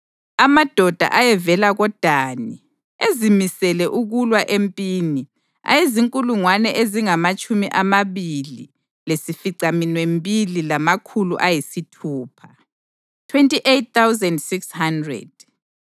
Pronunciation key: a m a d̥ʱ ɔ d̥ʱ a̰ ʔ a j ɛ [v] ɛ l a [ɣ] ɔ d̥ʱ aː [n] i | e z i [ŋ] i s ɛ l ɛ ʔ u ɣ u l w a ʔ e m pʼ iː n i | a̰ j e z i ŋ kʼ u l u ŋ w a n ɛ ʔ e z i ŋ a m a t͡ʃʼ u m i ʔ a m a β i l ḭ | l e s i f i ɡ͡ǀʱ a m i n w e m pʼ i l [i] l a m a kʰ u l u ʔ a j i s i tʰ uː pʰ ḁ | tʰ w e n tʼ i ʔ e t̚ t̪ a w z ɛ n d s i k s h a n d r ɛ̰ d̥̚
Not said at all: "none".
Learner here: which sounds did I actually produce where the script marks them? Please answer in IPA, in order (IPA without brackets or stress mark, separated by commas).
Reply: v, ɣ, n, m, i